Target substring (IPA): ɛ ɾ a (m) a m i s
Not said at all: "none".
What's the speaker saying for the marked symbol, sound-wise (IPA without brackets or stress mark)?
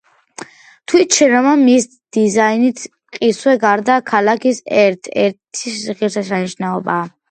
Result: m